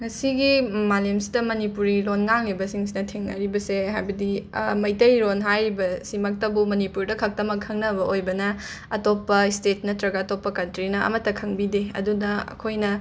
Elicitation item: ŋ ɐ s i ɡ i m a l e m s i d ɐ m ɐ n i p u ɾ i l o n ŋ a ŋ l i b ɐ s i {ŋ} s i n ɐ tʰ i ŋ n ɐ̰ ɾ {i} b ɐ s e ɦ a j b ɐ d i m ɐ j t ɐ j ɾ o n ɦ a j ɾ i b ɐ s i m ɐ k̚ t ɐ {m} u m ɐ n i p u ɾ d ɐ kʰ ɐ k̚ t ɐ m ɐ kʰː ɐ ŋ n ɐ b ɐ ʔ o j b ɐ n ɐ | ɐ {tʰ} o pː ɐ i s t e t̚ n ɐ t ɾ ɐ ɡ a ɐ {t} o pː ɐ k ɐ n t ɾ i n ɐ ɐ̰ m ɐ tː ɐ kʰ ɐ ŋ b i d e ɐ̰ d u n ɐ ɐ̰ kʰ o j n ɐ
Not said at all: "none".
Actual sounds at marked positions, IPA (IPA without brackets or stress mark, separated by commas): ŋ, i, b, t, t